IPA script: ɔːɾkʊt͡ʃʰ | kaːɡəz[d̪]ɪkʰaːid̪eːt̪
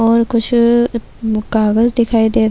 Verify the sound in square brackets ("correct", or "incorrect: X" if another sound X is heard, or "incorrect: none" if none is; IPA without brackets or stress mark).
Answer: correct